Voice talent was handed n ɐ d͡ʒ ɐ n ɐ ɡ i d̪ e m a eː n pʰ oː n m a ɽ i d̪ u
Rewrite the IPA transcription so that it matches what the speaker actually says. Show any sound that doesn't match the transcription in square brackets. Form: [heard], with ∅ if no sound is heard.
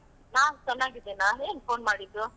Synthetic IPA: n [a] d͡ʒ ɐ n [a] ɡ i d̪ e [n] a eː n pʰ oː n m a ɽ i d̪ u